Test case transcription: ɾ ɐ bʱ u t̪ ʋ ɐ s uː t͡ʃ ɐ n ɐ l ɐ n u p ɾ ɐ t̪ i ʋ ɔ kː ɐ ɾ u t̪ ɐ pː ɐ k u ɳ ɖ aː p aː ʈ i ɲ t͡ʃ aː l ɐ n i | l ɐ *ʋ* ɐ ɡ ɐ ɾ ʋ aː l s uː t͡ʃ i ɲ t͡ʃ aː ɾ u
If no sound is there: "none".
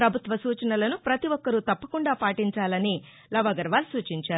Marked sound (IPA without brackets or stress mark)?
ʋ